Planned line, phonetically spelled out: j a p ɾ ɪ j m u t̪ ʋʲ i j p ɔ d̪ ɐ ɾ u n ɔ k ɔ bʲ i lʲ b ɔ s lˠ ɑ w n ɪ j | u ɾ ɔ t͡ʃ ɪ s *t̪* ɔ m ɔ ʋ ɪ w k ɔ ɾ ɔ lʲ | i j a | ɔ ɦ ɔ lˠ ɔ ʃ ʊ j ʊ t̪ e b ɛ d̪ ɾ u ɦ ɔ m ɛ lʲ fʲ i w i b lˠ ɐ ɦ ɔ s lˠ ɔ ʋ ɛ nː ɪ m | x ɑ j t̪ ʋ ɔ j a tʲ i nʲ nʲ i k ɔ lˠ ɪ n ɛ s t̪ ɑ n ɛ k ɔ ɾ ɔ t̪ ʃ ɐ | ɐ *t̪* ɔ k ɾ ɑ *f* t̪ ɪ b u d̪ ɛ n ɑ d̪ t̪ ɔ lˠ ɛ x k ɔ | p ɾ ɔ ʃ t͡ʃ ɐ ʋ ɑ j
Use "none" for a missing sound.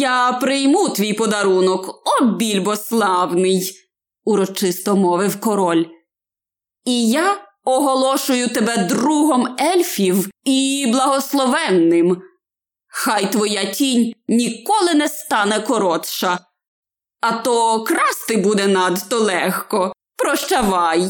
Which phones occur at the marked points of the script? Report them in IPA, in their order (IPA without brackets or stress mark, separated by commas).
t̪, t̪, s